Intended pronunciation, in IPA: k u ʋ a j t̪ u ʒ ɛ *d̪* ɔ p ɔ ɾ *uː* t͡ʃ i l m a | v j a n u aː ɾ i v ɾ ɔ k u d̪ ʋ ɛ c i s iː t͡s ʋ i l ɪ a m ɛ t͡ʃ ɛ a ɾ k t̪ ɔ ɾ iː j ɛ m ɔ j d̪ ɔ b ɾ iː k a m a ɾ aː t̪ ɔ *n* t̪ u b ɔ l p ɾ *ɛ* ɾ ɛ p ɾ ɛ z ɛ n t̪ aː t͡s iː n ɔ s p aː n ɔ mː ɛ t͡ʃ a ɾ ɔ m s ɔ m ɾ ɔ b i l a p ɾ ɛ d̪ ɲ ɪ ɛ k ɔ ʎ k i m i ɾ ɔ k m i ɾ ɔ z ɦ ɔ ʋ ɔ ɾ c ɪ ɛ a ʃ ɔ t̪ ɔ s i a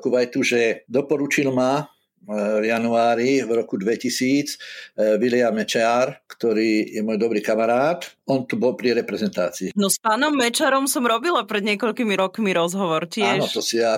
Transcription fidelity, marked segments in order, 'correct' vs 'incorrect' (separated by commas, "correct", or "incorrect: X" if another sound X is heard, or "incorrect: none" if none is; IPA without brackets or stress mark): correct, incorrect: u, correct, incorrect: i